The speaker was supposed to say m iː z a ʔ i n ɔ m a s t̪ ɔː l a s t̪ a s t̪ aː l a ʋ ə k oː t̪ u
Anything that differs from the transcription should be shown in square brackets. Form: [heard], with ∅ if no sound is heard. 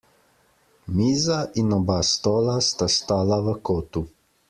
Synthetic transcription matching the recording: m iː z a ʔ i n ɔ [b] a s t̪ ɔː l a s t̪ a s t̪ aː l a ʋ ə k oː t̪ u